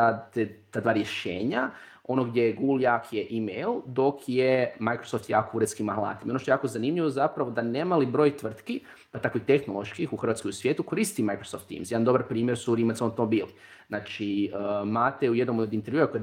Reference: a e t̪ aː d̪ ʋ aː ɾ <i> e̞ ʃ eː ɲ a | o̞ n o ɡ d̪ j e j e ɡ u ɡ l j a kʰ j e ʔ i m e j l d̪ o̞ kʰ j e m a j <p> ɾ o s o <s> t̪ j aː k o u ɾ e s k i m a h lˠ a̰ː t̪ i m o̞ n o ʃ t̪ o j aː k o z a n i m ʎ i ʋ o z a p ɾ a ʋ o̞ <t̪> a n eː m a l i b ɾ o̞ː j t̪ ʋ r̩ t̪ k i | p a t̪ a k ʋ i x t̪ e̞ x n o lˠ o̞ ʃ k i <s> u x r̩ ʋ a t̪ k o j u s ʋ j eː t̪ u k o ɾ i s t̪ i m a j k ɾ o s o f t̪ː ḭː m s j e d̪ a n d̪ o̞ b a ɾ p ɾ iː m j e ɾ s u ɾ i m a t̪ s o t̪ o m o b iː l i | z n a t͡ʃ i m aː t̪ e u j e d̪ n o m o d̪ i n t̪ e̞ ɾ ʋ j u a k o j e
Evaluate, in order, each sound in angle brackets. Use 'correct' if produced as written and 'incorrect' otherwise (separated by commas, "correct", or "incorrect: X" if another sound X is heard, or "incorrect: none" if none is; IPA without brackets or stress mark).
incorrect: j, incorrect: k, incorrect: f, incorrect: d̪, incorrect: x